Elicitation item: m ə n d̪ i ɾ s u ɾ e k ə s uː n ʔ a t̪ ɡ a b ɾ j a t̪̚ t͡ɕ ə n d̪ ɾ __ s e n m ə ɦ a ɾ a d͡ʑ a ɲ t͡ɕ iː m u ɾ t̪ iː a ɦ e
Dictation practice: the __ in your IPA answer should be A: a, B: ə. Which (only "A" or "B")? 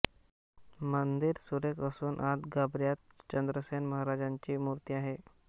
B